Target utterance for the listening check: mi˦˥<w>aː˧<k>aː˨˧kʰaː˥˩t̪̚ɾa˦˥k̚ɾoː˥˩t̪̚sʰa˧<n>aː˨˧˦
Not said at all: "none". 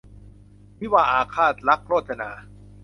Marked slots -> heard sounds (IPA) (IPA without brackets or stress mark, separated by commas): w, ʔ, n